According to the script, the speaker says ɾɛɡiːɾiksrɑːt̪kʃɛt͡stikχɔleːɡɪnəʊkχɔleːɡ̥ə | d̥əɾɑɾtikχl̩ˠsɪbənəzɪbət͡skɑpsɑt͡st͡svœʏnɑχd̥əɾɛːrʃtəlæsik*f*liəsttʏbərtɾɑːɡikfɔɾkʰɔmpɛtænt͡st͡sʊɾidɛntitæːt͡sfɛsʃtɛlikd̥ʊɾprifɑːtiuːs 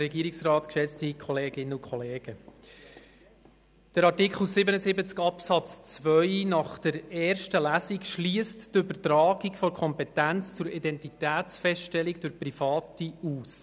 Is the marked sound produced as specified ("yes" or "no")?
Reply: no